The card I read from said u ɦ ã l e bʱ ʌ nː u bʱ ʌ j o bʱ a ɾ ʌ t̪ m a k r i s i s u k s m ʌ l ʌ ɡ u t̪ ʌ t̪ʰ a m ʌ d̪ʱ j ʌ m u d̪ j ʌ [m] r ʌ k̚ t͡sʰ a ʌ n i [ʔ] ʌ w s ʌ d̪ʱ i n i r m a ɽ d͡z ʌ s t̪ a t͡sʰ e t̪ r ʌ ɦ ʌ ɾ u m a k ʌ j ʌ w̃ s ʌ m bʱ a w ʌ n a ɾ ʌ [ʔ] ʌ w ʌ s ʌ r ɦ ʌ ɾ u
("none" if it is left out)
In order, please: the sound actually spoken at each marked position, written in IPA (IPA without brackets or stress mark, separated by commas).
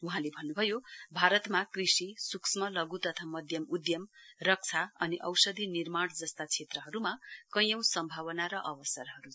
m, ʔ, ʔ